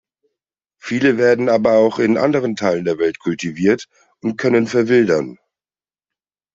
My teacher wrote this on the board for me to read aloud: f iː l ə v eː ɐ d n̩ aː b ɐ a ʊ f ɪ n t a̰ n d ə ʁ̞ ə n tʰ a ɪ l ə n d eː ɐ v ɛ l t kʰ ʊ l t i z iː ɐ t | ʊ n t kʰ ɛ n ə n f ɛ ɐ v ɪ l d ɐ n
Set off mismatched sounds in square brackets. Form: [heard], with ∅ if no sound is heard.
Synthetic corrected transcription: f iː l ə v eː ɐ d n̩ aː b ɐ a ʊ [x] ɪ n [ʔ] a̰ n d ə ʁ̞ ə n tʰ a ɪ l ə n d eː ɐ v ɛ l t kʰ ʊ l t i [v] iː ɐ t | ʊ n t kʰ [œ] n ə n f ɛ ɐ v ɪ l d ɐ n

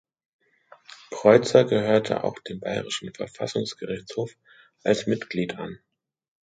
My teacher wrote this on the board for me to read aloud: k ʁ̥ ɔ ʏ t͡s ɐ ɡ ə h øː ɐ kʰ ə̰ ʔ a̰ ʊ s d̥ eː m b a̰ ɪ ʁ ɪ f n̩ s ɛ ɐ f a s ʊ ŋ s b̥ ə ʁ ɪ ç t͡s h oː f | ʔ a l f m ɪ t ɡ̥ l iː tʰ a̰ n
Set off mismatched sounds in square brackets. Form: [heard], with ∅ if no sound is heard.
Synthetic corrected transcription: k ʁ̥ ɔ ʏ t͡s ɐ ɡ ə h øː ɐ [tʰ] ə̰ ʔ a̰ ʊ [x] d̥ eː m b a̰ ɪ ʁ ɪ [ʃ] n̩ [f] ɛ ɐ f a s ʊ ŋ s [ɡ̥] ə ʁ ɪ ç t͡s h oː f | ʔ a l [s] m ɪ t ɡ̥ l iː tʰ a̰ n

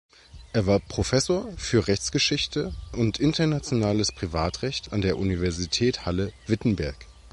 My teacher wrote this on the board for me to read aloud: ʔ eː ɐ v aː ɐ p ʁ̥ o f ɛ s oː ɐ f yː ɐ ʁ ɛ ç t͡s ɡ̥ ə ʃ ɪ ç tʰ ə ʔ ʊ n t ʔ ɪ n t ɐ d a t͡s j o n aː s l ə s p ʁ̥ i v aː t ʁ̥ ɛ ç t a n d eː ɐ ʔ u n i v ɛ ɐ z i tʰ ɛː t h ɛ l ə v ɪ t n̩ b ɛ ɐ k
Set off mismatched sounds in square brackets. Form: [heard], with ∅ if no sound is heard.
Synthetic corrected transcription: ʔ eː ɐ v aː ɐ p ʁ̥ o f ɛ s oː ɐ f yː ɐ ʁ ɛ ç t͡s ɡ̥ ə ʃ ɪ ç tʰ ə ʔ ʊ n t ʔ ɪ n t ɐ [n] a t͡s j o n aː [∅] l ə s p ʁ̥ i v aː t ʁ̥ ɛ ç t a n d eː ɐ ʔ u n i v ɛ ɐ z i tʰ ɛː t h [a] l ə v ɪ t n̩ b ɛ ɐ k

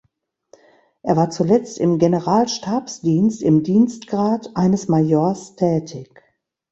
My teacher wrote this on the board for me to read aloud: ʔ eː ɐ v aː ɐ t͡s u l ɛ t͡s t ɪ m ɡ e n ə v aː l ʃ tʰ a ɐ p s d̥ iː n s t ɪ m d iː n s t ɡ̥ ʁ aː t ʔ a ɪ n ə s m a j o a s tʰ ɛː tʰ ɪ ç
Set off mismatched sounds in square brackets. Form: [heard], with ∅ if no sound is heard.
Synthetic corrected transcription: ʔ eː ɐ v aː ɐ t͡s u l ɛ t͡s t ɪ m ɡ e n ə [ʁ] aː l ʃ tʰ a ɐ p s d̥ iː n s t ɪ m d iː n s t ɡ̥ ʁ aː t ʔ a ɪ n ə s m a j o [ɐ] s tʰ ɛː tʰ ɪ ç

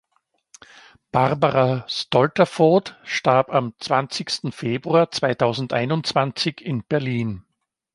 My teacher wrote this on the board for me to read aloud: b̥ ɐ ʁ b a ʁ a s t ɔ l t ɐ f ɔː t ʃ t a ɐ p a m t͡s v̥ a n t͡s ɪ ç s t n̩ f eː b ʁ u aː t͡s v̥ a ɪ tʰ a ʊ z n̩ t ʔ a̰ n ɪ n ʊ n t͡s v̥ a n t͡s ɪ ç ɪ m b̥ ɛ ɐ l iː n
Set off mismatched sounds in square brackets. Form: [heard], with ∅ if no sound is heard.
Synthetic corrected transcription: b̥ [a] ʁ b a ʁ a s t ɔ l t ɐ f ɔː t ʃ t a ɐ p a m t͡s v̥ a n t͡s ɪ ç s t n̩ f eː b ʁ u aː t͡s v̥ a ɪ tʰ a ʊ z n̩ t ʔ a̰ [∅] ɪ n ʊ n t͡s v̥ a n t͡s ɪ ç ɪ [n] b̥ ɛ ɐ l iː n

